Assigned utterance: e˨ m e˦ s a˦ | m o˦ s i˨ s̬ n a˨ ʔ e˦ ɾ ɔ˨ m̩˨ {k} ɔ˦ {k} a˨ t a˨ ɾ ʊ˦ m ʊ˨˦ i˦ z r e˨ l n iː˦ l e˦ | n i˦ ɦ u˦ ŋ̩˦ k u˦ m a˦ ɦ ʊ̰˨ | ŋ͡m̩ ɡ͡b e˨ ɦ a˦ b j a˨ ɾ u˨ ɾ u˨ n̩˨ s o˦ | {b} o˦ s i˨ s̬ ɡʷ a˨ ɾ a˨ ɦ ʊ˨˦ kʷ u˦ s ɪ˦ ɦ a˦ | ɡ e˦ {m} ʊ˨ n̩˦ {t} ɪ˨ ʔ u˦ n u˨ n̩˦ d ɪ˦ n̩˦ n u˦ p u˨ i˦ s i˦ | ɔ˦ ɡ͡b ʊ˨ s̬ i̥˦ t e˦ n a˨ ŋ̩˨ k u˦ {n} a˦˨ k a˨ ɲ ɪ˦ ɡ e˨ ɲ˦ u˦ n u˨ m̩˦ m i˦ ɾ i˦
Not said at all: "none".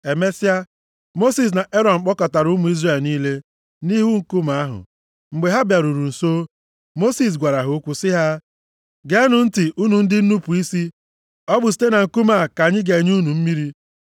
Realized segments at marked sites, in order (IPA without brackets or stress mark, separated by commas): k͡p, k, m, n, t, m